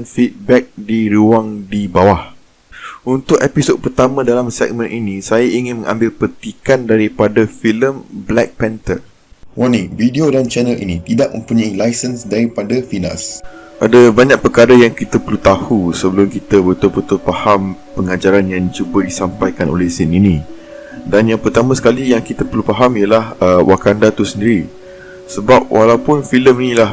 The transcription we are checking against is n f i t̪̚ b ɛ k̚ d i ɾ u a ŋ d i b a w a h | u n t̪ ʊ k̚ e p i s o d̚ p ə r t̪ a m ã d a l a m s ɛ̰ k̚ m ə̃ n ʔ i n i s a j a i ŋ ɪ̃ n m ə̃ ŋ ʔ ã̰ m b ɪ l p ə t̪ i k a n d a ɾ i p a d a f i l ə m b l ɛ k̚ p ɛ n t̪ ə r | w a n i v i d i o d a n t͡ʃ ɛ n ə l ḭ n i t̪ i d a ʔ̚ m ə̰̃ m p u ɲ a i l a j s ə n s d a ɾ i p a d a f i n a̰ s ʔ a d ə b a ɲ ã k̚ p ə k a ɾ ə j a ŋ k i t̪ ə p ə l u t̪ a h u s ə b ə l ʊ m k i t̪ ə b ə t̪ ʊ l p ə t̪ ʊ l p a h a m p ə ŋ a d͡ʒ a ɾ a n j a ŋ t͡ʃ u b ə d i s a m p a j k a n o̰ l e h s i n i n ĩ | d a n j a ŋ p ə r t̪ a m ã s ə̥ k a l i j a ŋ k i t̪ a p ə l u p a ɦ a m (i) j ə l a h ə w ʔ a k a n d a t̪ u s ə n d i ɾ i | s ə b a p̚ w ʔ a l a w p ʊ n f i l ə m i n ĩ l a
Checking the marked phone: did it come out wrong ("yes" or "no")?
no